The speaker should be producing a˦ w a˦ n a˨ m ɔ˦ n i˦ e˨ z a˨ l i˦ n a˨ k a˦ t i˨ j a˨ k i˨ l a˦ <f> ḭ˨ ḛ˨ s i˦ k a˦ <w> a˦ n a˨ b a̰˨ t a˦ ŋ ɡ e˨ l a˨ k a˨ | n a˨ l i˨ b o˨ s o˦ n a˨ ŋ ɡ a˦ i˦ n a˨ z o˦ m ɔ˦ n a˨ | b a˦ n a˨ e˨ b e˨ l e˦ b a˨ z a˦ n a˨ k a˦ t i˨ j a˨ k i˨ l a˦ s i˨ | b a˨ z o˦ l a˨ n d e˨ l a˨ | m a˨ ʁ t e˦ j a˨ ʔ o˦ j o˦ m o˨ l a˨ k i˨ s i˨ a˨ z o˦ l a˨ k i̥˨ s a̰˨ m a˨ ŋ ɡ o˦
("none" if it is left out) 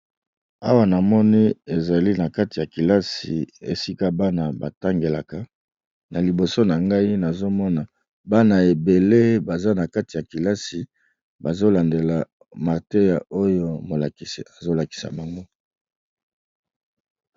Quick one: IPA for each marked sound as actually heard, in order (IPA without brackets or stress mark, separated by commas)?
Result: s, b